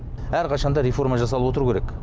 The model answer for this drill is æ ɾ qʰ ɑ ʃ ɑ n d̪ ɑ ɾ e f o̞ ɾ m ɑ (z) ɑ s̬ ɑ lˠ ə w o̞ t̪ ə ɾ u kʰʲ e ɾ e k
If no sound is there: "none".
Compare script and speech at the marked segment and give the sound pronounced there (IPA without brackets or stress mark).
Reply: ʒ